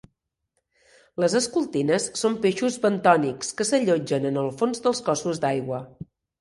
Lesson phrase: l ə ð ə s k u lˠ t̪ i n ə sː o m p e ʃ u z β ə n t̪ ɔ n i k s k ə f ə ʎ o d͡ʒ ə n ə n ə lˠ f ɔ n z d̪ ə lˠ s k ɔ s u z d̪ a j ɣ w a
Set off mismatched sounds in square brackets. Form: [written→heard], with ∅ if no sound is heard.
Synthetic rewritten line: l ə [ð→z] ə s k u lˠ t̪ i n ə sː o m p e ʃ u z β ə n t̪ ɔ n i k s k ə [f→s] ə ʎ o d͡ʒ ə n ə n ə lˠ f [ɔ→o] n z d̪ ə lˠ s k ɔ s u z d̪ a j ɣ w [a→ə]